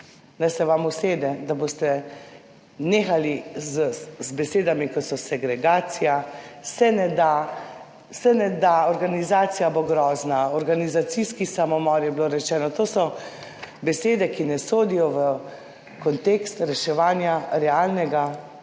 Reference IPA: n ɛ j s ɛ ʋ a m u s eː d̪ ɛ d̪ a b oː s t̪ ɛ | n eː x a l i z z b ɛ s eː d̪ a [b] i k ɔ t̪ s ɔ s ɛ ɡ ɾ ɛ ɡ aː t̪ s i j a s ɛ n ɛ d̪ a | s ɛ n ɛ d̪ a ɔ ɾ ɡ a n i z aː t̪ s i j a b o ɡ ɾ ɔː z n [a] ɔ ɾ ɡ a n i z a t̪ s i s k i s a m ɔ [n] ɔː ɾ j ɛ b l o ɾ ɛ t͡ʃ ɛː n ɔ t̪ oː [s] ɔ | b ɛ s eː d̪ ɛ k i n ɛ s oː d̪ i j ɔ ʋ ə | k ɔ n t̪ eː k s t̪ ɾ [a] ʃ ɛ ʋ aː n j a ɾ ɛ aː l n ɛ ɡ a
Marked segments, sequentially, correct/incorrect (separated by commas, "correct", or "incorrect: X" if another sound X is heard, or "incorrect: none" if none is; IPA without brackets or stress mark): incorrect: m, correct, incorrect: m, correct, incorrect: ɛ